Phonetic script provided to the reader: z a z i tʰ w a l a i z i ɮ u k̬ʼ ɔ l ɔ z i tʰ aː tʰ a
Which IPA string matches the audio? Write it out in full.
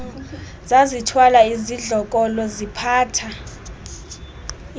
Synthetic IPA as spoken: z a z i tʰ w a l a i z i ɮ ɔ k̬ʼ ɔ l ɔ z i pʰ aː tʰ a